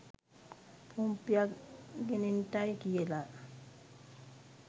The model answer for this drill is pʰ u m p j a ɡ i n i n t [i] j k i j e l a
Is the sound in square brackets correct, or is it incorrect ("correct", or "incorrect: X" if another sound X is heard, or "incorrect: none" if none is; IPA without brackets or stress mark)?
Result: incorrect: a